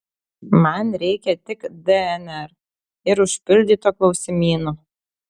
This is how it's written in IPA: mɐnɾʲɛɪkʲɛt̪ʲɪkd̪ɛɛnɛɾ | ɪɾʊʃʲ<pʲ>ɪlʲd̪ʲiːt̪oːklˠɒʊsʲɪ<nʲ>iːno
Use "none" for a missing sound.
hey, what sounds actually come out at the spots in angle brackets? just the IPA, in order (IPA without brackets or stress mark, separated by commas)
pʲ, mʲ